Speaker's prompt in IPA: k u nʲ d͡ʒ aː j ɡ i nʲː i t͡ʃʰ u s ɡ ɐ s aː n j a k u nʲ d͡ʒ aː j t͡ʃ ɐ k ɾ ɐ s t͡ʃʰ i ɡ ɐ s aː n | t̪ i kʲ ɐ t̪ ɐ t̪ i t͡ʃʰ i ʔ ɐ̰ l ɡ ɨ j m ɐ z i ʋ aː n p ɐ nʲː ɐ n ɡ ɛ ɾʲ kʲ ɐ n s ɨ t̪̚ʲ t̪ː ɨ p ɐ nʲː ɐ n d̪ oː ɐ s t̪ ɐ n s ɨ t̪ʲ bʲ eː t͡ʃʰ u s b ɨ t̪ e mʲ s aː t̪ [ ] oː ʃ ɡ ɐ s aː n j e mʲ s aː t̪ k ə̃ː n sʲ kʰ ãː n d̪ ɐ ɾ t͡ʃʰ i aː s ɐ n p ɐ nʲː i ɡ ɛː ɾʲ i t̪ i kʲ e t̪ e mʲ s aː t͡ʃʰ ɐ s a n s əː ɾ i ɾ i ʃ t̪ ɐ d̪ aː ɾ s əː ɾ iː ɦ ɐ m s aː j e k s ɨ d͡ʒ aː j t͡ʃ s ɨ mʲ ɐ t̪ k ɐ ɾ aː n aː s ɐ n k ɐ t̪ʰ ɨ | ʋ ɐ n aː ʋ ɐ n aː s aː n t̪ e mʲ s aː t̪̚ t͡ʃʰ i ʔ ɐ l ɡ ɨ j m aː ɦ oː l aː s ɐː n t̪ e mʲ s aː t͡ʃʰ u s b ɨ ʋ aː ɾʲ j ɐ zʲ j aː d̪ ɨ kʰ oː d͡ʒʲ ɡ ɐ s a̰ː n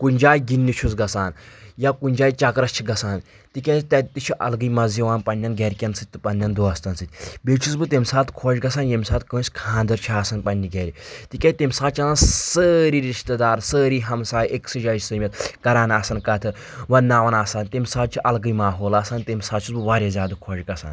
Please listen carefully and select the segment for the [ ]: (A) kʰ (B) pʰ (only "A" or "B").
A